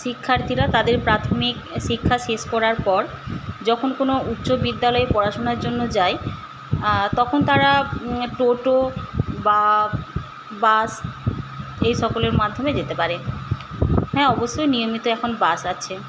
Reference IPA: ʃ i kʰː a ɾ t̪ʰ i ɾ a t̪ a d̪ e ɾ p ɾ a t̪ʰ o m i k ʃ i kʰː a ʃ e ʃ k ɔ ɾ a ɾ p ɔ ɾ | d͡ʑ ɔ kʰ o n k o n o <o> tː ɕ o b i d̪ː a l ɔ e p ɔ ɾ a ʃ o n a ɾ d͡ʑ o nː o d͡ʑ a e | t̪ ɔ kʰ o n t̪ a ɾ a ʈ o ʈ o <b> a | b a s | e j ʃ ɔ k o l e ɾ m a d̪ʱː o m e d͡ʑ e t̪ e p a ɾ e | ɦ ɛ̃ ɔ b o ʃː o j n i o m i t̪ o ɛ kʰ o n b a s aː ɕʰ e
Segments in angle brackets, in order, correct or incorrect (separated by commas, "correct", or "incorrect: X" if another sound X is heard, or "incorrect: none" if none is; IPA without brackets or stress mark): incorrect: u, correct